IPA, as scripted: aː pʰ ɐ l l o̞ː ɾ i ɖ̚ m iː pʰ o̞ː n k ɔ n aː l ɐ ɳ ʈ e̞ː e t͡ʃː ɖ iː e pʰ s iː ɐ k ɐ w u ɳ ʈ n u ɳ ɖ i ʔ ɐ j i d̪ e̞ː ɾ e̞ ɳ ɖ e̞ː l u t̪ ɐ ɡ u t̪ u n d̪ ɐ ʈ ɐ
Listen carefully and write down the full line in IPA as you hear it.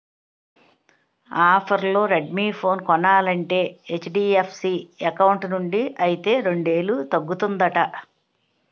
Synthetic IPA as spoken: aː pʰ ɐ ɾ l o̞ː ɾ e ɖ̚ m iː pʰ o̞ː n k ɔ n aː l ɐ ɳ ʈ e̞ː e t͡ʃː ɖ iː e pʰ s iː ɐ k ɐ w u ɳ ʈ n u ɳ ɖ i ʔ ɐ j i t̪ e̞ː ɾ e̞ ɳ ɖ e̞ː l u t̪ ɐ ɡː u t̪ u n d̪ ɐ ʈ ɐ